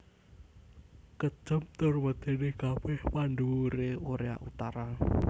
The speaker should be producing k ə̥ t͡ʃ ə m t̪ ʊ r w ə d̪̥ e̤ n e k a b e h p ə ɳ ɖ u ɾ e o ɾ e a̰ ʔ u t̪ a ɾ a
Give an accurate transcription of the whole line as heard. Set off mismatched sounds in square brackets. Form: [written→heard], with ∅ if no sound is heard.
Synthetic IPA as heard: k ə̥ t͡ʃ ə m t̪ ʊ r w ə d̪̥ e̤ n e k a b [e→ɛ] h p [ə→a] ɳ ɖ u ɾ e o ɾ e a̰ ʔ u t̪ a ɾ a

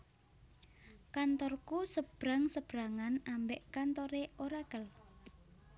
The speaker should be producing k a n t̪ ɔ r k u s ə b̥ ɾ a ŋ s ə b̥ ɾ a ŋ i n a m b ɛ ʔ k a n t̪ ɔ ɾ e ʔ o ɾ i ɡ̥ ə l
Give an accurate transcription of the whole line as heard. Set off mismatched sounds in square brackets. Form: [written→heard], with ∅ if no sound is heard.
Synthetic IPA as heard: k a n t̪ ɔ r k u s ə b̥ ɾ a ŋ s ə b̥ ɾ a ŋ [i→a] n a m b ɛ ʔ k a n t̪ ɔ ɾ e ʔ o ɾ [i→a] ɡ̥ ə l

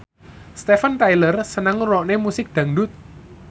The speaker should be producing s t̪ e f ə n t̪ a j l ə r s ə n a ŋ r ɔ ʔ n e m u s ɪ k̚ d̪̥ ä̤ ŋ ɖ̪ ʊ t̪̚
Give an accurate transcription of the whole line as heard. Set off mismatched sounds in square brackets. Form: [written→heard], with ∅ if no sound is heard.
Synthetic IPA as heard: s t̪ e f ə n t̪ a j l ə r s ə n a ŋ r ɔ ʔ n e m u s ɪ k̚ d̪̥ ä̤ ŋ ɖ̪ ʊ t̪̚

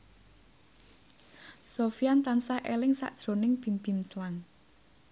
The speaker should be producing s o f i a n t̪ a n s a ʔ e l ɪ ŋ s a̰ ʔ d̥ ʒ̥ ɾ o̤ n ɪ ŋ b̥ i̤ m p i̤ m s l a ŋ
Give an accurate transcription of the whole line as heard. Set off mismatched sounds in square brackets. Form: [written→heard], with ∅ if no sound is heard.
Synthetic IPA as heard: s o f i a n t̪ a n s a ʔ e l ɪ ŋ s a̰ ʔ d̥ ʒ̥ ɾ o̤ n ɪ ŋ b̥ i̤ m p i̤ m s l a ŋ

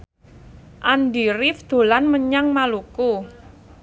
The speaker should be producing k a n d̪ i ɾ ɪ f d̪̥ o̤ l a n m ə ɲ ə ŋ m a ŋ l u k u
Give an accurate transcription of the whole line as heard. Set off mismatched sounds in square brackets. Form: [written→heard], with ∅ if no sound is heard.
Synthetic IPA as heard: [k→ʔ] a n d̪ i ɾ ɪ f d̪̥ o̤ l a n m ə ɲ [ə→a] ŋ m a [ŋ→∅] l u k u

